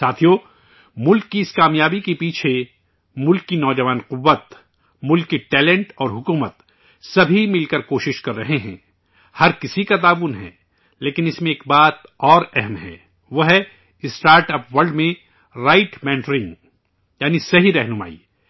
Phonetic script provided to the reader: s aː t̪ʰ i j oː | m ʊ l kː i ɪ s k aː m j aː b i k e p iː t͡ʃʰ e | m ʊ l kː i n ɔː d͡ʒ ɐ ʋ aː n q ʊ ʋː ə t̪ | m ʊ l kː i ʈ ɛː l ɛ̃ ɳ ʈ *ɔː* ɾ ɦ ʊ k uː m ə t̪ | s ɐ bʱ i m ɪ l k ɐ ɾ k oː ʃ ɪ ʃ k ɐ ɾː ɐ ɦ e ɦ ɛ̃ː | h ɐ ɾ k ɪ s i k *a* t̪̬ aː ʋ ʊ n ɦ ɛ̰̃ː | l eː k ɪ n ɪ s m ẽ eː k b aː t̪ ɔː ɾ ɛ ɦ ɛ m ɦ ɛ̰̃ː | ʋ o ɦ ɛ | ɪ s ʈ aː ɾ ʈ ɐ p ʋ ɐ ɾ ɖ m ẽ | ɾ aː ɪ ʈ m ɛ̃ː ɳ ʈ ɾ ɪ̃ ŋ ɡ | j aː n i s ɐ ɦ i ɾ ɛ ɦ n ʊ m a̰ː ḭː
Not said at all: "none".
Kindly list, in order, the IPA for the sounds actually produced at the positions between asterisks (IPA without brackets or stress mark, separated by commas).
ɔː, a